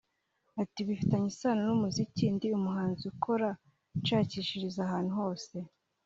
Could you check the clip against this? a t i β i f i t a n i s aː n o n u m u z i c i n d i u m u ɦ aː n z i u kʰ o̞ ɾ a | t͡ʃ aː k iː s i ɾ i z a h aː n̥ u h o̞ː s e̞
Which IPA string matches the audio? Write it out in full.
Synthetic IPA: a t i β i f i t a ɲ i s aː n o n u m u z i c i n d i u m u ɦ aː n z i u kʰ o̞ ɾ a | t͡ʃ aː c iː ʃ i ɾ i z a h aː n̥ u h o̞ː s e̞

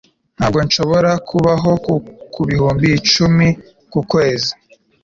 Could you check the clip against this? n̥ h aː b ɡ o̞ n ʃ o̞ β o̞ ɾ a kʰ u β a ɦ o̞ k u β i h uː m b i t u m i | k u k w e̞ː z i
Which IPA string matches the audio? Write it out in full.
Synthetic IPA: n̥ h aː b ɡ o̞ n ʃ o̞ β o̞ ɾ a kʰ u β a ɦ o̞ k u β i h uː m b i t͡ʃ u m i | k u k w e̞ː z i

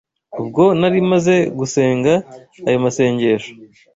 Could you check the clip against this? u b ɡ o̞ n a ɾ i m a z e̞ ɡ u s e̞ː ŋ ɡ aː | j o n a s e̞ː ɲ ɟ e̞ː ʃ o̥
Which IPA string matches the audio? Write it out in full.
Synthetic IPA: u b ɡ o̞ n a ɾ i m a z e̞ ɡ u s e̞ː ŋ ɡ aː | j o m a s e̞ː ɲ ɟ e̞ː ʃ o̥

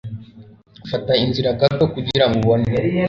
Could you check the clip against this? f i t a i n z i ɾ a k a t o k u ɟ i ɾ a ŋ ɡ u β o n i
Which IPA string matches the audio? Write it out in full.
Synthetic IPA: f a t a i n z i ɾ a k a t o k u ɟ i ɾ a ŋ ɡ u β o n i

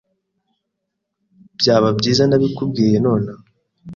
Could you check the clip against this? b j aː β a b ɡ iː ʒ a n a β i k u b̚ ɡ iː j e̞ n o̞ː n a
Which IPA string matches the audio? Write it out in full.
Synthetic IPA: b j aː β a b ɟ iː z a n a β i k u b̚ ɡ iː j e̞ n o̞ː n a

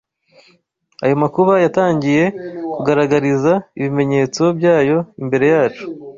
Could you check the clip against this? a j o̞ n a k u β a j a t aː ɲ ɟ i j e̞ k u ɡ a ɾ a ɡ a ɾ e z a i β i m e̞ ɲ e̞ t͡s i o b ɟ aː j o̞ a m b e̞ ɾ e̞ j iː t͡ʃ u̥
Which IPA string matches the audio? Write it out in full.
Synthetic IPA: a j o̞ m a k u β a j a t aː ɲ ɟ i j e̞ k u ɡ a ɾ a ɡ a ɾ i z a i β i m e̞ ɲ e̞ t͡s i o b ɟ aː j o̞ i m b e̞ ɾ e̞ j aː t͡ʃ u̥

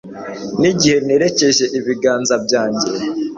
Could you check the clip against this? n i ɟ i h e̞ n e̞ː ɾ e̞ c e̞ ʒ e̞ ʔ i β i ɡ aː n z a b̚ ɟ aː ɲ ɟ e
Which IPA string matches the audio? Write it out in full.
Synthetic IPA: n i ɟ i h e̞ n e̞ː ɾ e̞ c e̞ ʒ e̞ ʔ i β i ɡ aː n z a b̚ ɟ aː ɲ ɟ e

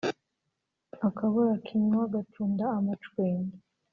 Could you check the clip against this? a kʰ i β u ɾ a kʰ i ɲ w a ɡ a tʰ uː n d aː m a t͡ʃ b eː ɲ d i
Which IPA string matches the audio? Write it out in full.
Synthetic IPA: a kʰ a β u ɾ a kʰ i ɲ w a ɡ a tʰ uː n d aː m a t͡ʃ w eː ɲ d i

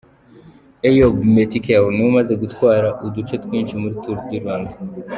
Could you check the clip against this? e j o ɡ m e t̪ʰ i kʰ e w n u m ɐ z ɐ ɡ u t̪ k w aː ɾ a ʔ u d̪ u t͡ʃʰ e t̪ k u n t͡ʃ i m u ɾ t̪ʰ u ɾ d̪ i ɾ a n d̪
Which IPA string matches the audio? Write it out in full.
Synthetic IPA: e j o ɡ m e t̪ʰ i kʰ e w n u m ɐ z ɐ ɡ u t̪ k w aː ɾ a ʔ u d̪ u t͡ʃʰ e t̪ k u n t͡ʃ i m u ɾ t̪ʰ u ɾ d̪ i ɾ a n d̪

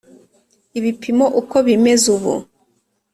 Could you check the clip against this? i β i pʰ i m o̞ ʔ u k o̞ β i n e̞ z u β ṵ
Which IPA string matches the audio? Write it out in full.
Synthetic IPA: i β i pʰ i m o̞ ʔ u k o̞ β i m e̞ z u β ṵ

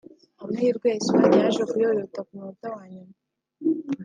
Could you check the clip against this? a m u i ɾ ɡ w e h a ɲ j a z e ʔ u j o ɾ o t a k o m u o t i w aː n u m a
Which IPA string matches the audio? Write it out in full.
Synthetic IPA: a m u i ɾ ɡ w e s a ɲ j a ʒ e k u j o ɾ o t a k u m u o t a w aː ɲ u m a

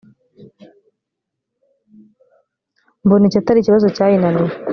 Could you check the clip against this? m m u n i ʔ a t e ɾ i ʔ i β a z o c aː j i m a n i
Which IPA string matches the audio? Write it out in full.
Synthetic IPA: m b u n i c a t a ɾ i c i β a z o c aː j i n a n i

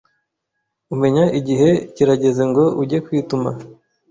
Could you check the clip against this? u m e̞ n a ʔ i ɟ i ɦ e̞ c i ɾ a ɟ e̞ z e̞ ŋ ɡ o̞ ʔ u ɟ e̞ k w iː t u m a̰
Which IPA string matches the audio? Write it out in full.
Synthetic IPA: u m e̞ ɲ a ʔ i ɟ i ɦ e̞ c i ɾ a ɟ e̞ z e̞ ŋ ɡ o̞ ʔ u ɟ e̞ k w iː t u m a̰

